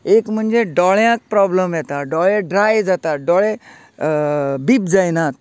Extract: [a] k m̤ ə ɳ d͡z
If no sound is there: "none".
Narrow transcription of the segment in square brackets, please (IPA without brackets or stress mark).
e